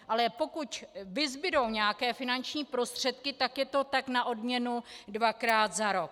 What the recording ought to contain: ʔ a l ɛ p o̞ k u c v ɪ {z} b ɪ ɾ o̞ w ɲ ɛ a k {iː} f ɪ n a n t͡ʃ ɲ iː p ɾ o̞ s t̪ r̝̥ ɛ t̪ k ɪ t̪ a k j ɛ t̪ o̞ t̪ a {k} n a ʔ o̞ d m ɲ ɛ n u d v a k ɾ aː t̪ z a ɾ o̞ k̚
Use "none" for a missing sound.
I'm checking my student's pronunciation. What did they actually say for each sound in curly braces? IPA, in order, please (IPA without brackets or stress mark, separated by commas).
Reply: z, ɛː, k